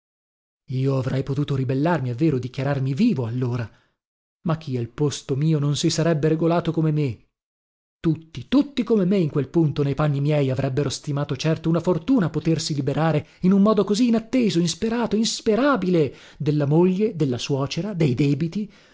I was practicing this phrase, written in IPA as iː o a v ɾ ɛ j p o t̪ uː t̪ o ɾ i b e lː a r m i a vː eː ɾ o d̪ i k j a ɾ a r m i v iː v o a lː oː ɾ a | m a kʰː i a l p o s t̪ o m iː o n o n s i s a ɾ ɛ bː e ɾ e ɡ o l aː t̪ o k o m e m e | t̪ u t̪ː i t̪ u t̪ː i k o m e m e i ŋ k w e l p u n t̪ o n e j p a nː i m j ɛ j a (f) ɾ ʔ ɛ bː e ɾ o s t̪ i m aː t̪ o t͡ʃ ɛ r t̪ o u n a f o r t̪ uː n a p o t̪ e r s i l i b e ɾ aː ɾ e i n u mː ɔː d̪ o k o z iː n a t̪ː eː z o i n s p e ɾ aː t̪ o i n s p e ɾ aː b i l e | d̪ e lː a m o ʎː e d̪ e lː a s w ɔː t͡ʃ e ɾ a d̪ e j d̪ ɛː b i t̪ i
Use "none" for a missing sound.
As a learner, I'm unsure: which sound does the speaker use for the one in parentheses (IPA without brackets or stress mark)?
v